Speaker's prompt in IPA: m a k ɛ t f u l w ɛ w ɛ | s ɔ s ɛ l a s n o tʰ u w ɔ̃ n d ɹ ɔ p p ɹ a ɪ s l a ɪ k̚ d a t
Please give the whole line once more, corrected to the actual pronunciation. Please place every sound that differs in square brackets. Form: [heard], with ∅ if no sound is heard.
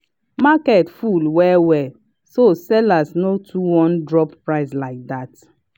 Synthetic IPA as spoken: m a k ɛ t f u l w ɛ w ɛ | s [o] s ɛ l a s n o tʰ u w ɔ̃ n d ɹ ɔ p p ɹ a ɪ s l a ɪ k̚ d a t